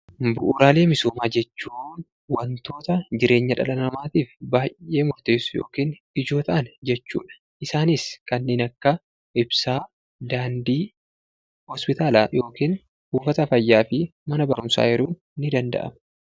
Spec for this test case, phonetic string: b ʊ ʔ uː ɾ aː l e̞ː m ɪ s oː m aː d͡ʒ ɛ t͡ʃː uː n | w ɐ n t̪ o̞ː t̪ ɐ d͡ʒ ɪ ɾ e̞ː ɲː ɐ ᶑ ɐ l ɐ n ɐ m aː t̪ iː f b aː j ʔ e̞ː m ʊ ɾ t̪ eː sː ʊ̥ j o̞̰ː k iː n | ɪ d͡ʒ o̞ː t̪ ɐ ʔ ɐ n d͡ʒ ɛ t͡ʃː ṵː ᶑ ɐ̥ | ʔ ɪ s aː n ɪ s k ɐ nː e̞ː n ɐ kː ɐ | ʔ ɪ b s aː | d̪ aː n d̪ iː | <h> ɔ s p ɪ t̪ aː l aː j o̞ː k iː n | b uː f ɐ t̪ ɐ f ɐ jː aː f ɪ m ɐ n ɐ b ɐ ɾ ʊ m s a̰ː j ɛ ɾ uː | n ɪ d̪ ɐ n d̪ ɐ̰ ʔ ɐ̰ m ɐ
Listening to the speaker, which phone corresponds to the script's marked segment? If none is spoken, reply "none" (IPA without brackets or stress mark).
h